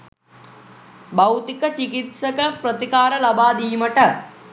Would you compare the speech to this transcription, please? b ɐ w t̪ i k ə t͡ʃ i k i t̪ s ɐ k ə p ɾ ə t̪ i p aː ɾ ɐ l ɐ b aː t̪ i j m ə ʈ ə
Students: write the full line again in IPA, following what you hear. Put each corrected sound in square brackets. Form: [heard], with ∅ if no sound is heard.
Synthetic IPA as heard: b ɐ w t̪ i k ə t͡ʃ i k i t̪ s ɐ k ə p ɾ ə t̪ i [k] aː ɾ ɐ l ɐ b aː [d̪] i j m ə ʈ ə